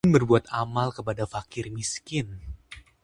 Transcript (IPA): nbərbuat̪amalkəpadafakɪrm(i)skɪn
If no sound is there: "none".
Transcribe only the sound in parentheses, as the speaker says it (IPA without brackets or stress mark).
i